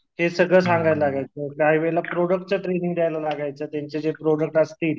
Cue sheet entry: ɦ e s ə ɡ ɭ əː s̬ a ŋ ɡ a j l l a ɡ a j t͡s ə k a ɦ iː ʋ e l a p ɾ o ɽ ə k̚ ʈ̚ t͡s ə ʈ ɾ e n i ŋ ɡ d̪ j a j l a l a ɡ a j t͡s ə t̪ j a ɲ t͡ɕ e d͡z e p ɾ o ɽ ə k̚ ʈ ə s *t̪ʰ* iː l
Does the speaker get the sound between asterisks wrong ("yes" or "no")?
yes